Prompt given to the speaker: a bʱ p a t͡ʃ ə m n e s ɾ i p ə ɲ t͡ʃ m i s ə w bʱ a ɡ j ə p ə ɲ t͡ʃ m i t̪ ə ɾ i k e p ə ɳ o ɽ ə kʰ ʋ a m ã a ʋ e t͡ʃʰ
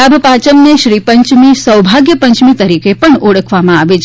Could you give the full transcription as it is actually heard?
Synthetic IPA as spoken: a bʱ p a t͡ʃ ə m n e ʃ ɾ i p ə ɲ t͡ʃ m i s ə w bʱ a ɡ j ə p ə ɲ t͡ʃ m i t̪ ə ɾ i k e p ə ɳ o ɽ ə kʰ ʋ a m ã a ʋ e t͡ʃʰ